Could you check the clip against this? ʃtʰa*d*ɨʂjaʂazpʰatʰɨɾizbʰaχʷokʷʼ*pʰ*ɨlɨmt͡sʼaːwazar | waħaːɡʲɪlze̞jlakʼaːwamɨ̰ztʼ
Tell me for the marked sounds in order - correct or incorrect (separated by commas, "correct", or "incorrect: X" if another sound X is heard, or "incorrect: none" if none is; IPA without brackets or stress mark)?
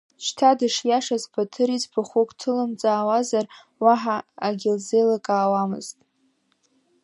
correct, incorrect: tʰ